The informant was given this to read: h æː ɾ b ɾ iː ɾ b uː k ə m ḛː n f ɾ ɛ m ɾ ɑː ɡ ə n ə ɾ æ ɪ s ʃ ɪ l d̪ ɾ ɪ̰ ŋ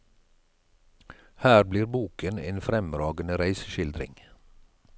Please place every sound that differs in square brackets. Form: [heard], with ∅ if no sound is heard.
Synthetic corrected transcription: h æː ɾ b [l] iː ɾ b uː k ə [n] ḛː n f ɾ ɛ m ɾ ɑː ɡ ə n ə ɾ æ ɪ s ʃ ɪ l d̪ ɾ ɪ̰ ŋ